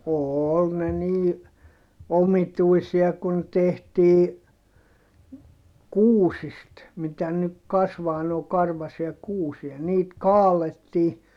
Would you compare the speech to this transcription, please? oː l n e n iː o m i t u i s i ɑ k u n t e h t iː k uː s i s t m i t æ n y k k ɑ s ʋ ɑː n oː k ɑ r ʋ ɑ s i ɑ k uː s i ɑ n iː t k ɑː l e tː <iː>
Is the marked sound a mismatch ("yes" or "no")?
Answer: no